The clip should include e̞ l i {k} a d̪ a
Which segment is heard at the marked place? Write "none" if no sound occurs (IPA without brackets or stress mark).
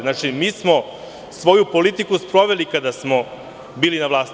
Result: k